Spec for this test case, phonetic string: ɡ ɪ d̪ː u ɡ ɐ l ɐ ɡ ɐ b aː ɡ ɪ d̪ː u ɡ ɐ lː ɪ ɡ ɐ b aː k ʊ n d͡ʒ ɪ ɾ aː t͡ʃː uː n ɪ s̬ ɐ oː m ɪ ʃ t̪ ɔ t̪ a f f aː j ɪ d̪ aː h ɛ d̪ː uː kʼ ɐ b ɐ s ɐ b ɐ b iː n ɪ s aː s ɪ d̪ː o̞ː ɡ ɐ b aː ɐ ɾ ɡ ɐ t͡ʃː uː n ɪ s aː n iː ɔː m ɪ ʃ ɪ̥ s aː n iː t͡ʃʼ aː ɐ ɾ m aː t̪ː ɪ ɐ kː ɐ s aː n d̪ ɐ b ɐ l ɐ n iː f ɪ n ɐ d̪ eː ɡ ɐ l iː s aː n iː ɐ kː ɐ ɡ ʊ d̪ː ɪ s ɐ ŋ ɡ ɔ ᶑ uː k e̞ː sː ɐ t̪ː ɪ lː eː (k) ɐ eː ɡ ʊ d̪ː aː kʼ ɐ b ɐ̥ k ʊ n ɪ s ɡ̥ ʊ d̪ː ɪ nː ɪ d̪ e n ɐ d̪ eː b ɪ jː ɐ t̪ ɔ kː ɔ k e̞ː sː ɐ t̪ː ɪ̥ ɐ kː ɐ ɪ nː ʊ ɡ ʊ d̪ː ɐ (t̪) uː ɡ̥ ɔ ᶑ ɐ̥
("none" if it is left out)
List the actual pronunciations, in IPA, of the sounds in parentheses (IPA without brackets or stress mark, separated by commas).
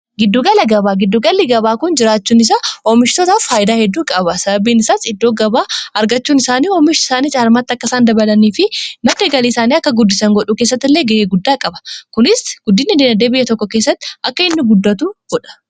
ɡ, t̪